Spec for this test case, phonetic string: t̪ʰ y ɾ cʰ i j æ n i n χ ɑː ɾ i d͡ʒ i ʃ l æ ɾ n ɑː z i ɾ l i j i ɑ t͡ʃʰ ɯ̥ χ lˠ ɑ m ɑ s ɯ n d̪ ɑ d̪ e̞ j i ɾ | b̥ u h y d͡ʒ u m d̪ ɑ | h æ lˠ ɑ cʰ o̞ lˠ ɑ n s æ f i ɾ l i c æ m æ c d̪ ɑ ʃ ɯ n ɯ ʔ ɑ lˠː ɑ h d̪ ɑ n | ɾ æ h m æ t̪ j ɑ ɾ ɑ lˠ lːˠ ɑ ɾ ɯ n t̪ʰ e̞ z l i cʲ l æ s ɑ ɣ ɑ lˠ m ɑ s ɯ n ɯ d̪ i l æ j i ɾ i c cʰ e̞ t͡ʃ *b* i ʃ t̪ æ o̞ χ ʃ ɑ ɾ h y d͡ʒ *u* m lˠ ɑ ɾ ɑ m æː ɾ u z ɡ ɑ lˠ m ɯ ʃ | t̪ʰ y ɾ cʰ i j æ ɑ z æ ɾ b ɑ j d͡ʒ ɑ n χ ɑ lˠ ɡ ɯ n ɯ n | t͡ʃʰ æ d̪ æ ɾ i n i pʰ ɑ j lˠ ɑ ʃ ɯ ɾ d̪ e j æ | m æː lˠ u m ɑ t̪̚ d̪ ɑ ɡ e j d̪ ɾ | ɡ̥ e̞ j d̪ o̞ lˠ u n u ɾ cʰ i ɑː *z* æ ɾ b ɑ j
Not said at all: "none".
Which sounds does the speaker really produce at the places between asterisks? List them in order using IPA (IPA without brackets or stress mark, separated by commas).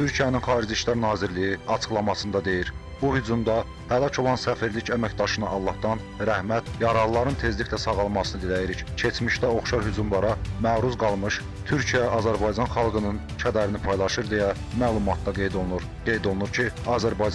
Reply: m, u, z